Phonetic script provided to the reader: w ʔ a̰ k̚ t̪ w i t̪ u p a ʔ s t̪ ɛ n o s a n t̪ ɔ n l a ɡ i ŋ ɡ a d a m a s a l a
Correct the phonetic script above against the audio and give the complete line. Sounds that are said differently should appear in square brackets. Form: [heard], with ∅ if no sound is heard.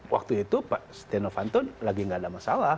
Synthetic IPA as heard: w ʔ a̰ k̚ t̪ [u] i t̪ u p a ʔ s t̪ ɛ n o [f] a n t̪ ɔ n l a ɡ i ŋ ɡ a d a m a s a l a

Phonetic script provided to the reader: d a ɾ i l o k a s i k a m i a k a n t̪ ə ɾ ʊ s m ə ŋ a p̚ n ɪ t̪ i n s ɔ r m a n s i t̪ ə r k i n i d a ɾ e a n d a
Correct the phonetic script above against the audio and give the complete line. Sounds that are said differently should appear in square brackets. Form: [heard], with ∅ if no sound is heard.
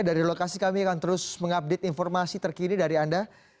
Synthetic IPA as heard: d a ɾ i l o k a s i k a m i a k a n t̪ ə ɾ ʊ s m ə ŋ a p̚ [d] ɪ t̪ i n [f] ɔ r m a [∅] s i t̪ ə r k i n i d a ɾ [i] a n d a

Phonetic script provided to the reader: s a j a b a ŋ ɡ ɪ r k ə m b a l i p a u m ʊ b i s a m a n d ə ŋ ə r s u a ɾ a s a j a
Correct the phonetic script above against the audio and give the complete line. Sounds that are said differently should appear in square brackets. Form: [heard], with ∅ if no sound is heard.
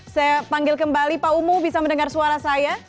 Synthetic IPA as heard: s a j a [p] a ŋ ɡ ɪ [l] k ə m b a l i p a u m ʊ b i s a m [ə] n d ə ŋ [a] r s u a ɾ a s a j a

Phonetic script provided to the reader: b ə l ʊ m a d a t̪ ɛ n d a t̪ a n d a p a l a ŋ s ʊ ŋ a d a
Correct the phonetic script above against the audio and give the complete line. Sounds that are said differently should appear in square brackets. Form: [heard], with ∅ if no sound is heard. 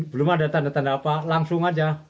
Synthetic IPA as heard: b ə l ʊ m a d a t̪ [a] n d a t̪ a n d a p a l a ŋ s ʊ ŋ a [d͡ʒ] a

